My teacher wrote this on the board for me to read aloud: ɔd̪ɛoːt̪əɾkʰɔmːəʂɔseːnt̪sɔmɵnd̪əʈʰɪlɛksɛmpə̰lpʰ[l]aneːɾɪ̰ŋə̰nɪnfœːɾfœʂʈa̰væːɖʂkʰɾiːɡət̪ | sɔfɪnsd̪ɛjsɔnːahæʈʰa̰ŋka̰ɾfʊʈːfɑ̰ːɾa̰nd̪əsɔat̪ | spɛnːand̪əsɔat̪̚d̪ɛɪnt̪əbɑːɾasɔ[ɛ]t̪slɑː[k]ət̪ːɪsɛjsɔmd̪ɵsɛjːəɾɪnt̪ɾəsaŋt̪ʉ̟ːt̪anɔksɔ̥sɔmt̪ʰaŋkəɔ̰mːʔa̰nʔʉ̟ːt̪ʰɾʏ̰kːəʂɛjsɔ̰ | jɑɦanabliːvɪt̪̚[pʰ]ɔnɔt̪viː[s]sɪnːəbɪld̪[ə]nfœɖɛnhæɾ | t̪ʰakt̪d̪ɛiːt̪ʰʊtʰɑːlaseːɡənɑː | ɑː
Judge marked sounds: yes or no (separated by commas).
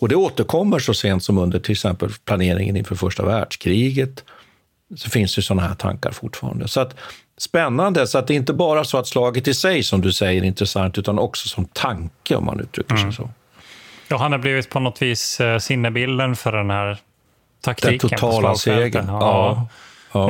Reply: yes, no, no, yes, yes, yes